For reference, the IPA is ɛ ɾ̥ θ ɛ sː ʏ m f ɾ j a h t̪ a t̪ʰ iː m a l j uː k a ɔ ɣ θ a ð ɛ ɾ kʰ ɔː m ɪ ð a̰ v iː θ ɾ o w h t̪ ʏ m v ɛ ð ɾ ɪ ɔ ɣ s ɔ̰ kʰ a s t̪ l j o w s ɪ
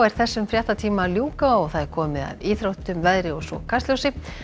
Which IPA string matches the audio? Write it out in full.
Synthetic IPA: ɛ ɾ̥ θ ɛ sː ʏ m f ɾ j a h t̪ a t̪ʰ iː m a l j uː k a ɔ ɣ θ a ð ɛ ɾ kʰ ɔː m ɪ ð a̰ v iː θ ɾ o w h t̪ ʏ m v ɛ ð ɾ ɪ ɔ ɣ s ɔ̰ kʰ a s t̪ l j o w s ɪ

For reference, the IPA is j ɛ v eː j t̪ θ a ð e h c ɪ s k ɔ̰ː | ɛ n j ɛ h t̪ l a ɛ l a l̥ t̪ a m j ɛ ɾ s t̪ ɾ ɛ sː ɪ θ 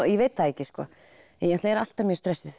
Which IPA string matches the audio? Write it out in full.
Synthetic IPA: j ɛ v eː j t̪ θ a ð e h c ɪ s k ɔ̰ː | ɛ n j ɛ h t̪ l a ɛ ɾ a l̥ t̪ a m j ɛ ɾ s t̪ ɾ ɛ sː ɪ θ

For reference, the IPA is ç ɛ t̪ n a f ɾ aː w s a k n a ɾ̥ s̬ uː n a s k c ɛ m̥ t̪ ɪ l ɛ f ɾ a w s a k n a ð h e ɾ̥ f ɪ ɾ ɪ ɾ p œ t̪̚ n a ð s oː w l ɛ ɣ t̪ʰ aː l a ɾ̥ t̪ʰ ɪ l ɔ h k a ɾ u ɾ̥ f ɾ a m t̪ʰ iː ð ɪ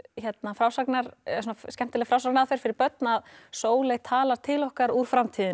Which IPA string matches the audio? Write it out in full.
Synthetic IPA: ç ɛ t̪ n a f ɾ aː w s a k n a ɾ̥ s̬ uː n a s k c ɛ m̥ t̪ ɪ l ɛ f ɾ a w s a k n a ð f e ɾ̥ f ɪ ɾ ɪ ɾ p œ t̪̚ n a ð s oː w l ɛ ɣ t̪ʰ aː l a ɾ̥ t̪ʰ ɪ l ɔ h k a ɾ u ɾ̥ f ɾ a m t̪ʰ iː ð ɪ

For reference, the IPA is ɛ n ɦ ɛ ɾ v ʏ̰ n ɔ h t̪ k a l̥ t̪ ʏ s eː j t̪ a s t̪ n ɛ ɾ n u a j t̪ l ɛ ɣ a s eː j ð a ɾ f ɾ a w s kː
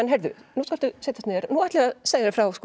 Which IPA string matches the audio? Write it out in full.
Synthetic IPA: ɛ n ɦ ɛ ɾ ð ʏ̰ n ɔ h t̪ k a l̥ t̪ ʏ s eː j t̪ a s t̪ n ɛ ɾ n u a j t̪ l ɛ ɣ a s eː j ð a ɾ f ɾ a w s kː

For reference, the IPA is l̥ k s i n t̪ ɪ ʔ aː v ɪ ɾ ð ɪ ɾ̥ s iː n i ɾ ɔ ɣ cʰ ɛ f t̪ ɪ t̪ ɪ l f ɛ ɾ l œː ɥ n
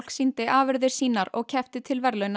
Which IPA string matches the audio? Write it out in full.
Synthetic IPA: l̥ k s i n t̪ ɪ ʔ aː v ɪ ɾ ð ɪ ɾ̥ s iː n a ɾ ɔ ɣ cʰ ɛ f t̪ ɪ t̪ʰ ɪ l v ɛ ɾ l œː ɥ n

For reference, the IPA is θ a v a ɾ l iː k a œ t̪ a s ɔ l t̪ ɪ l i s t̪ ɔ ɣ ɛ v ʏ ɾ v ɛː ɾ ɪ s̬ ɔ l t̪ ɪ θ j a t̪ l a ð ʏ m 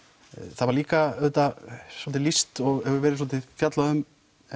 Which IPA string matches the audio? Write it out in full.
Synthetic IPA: θ a v a ɾ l iː k a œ t̪ a s ɔ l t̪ ɪ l i s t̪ ɔ ɣ ɛ v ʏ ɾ v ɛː ɾ ɪ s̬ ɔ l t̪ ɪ f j a t̪ l a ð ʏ m

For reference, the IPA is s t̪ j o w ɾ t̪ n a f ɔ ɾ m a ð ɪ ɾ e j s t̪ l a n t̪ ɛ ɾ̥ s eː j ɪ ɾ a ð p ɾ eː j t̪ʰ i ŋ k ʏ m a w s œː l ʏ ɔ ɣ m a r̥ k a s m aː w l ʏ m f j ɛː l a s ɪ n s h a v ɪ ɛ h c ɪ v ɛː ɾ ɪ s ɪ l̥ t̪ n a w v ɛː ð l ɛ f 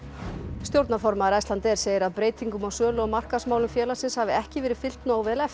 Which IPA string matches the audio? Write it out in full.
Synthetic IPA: s t̪ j o w ɾ t̪ n a f ɔ ɾ m a ð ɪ ɾ a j s t̪ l a n t̪ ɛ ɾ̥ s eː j ɪ ɾ a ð p ɾ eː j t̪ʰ i ŋ k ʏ m a w s œː l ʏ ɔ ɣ m a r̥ k a s m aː w l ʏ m f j ɛː l a s ɪ n s h a v ɪ ɛ h c ɪ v ɛː ɾ ɪ f ɪ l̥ t̪ n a w v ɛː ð l ɛ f

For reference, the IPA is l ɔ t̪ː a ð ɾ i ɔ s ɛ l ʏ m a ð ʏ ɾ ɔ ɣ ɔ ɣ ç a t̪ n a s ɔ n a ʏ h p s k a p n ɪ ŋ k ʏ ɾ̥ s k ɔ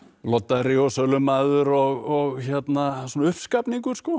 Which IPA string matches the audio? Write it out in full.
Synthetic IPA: l ɔ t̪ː a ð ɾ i ɔ s œ l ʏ m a ð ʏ ɾ ɔ ɣ ɔ ɣ ç ɛ t̪ n a s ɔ n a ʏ h p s k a p n i ŋ k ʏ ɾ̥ s k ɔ

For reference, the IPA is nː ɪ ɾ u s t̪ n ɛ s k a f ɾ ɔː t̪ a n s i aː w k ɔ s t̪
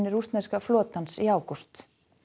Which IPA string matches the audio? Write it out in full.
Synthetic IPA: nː ɪ ɾ u s t̪ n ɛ s k a f l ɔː t̪ a n s i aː w k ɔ s t̪

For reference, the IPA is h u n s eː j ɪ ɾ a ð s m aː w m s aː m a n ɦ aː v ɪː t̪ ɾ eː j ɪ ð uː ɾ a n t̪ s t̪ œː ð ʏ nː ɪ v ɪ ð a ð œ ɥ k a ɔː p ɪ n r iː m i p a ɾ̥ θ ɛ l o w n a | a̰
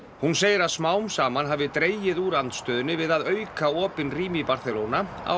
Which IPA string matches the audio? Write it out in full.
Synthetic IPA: h u n s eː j ɪ ɾ a ð s m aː w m s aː m a n ɦ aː v ɪ t̪ ɾ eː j ɪ ð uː ɾ a n t̪ s t̪ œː ð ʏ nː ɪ v ɪ ð a ð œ ɥ k a ɔː p ɪ n r iː m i p a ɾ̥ θ ɛ l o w n a | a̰

